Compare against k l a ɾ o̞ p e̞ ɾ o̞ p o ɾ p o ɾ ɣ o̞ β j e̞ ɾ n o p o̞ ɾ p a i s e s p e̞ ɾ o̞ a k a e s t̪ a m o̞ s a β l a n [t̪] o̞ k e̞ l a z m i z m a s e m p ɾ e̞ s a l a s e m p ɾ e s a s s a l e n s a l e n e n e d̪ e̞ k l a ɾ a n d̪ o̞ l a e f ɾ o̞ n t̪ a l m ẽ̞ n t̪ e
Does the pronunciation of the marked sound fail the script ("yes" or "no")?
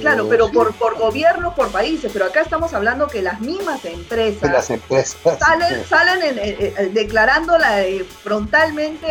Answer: yes